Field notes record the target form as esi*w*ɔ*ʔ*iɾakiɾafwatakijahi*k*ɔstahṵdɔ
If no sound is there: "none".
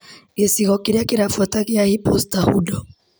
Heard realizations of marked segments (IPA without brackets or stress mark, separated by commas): ɣ, k, p